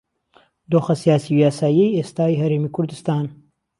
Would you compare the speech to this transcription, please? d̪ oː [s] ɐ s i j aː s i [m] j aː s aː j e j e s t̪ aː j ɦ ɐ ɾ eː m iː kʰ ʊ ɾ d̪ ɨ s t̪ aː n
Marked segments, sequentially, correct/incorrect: incorrect, incorrect

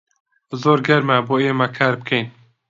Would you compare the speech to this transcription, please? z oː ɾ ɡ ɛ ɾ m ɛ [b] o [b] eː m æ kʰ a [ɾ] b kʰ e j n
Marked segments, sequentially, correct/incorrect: correct, incorrect, correct

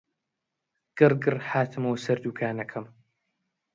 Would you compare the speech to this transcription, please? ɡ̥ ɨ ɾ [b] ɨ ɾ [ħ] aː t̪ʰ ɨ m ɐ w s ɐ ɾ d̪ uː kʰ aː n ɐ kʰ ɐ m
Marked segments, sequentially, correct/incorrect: incorrect, correct

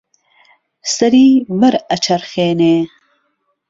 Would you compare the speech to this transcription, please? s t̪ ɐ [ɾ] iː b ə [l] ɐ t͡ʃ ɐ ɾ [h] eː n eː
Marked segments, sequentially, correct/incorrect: correct, incorrect, incorrect

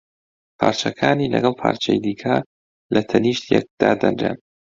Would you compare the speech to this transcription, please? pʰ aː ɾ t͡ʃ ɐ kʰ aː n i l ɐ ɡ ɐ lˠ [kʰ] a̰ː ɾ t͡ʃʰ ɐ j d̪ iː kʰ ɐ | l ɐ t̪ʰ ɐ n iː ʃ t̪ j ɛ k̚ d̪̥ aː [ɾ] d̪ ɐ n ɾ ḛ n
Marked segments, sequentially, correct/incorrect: incorrect, incorrect

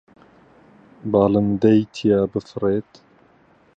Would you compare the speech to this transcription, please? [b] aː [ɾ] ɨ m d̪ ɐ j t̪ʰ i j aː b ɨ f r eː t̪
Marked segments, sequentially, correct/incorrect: correct, incorrect

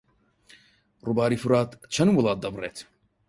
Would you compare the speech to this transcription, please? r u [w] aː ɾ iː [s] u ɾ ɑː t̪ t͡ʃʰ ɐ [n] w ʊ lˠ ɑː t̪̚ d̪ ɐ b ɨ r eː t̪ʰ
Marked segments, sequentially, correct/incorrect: incorrect, incorrect, correct

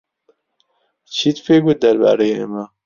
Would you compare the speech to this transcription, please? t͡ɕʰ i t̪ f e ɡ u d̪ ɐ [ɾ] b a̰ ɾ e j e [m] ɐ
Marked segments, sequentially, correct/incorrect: correct, correct

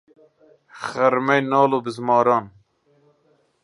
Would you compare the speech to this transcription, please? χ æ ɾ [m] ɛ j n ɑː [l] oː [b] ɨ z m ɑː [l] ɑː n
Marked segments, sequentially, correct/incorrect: correct, correct, correct, incorrect

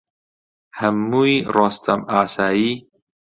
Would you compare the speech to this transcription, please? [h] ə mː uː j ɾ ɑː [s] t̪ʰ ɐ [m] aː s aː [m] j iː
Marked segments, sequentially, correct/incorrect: correct, correct, correct, incorrect

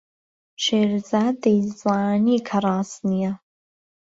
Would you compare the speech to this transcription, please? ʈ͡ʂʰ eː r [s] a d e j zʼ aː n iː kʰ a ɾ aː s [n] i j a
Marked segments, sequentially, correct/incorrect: incorrect, correct

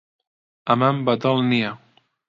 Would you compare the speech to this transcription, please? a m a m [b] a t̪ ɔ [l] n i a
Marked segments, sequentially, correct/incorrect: correct, correct

